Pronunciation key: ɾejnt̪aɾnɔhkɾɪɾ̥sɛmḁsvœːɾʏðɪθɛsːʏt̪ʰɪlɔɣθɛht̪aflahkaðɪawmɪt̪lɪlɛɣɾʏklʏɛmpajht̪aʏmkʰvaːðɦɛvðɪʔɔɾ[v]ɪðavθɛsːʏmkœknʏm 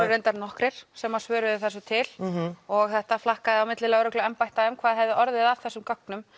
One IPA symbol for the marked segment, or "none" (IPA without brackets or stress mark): ð